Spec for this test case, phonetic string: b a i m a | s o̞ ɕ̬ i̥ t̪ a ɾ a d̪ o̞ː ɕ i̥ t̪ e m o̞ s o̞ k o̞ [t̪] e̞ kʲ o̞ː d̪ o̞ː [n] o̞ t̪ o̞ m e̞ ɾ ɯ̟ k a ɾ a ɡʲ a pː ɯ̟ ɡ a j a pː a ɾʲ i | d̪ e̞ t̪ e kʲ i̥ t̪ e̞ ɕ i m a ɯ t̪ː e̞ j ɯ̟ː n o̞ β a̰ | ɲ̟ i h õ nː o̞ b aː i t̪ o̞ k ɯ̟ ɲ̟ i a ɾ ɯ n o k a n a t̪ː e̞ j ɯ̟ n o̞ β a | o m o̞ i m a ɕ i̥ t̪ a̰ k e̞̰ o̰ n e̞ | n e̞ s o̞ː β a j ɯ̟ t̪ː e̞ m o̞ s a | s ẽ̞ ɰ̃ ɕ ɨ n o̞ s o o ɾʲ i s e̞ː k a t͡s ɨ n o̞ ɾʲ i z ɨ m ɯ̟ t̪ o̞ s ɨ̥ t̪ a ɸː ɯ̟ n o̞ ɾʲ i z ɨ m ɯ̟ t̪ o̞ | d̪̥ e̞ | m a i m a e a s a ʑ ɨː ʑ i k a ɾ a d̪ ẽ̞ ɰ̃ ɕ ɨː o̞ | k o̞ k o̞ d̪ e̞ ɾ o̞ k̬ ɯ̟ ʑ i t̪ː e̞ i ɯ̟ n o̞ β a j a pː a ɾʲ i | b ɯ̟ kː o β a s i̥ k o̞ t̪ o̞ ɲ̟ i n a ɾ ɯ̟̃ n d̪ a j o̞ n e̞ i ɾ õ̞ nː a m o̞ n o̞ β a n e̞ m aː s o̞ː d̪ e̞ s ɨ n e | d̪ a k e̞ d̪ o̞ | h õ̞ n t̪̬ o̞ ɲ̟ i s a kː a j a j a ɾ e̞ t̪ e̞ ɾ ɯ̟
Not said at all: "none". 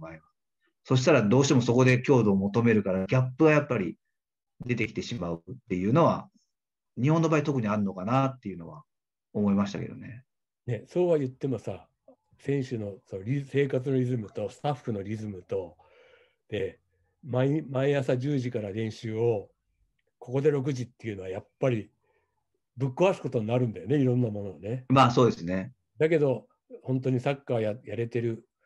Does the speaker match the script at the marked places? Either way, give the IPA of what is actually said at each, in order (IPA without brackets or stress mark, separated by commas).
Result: d̪, m